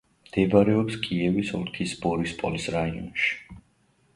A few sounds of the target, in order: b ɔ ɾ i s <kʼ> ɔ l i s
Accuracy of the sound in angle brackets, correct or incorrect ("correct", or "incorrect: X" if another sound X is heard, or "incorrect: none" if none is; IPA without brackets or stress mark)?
incorrect: pʼ